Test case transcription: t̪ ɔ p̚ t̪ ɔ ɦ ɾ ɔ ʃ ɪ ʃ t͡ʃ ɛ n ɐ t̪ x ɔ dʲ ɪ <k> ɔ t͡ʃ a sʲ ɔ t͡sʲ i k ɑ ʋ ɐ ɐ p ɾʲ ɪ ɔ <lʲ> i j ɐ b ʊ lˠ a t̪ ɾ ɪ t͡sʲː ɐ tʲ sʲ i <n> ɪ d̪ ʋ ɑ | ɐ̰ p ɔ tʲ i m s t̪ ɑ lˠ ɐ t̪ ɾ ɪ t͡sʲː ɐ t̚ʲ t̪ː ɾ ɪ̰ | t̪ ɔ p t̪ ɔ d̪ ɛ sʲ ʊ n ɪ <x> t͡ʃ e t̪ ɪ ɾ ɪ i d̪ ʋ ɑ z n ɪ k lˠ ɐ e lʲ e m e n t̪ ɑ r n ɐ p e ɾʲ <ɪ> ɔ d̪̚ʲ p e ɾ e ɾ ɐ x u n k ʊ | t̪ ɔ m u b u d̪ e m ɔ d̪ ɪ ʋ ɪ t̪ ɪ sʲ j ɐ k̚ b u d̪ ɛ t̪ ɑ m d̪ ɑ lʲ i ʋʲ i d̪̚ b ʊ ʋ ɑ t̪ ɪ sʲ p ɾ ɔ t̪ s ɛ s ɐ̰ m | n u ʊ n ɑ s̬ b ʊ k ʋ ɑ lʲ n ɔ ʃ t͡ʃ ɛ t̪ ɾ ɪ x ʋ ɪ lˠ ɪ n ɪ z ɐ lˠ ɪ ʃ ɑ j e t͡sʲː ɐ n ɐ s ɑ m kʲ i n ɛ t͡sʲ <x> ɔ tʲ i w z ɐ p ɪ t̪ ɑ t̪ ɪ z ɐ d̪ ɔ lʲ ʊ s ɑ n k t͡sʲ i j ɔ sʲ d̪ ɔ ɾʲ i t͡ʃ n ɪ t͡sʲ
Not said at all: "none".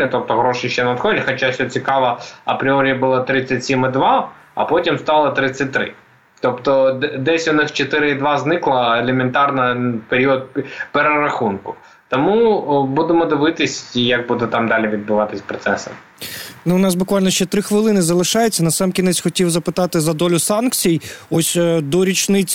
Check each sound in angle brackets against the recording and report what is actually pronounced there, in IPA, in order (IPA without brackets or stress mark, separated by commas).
x, ɾʲ, m, x, i, x